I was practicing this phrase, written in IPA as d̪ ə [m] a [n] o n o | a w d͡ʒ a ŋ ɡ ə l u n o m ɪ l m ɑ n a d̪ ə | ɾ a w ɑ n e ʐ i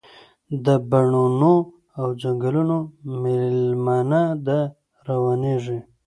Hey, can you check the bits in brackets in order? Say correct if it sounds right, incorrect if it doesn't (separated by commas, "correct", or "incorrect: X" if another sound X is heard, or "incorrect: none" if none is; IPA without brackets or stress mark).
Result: incorrect: b, incorrect: ɳ